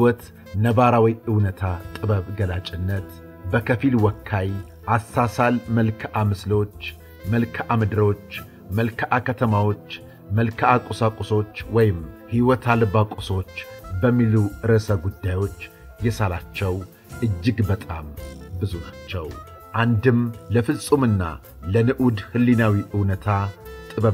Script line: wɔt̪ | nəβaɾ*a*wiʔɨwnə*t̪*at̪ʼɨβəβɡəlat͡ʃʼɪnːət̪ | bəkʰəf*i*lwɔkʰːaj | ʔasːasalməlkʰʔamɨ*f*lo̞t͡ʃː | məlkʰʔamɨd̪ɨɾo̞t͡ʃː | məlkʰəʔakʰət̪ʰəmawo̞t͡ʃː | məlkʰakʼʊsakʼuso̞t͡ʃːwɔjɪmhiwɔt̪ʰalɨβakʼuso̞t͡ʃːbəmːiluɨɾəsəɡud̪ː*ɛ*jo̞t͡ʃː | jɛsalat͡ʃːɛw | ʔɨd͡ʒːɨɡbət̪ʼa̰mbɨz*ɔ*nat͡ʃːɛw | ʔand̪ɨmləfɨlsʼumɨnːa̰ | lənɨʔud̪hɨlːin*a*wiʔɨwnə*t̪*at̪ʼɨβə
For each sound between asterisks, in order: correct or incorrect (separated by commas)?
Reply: correct, incorrect, correct, incorrect, incorrect, incorrect, correct, incorrect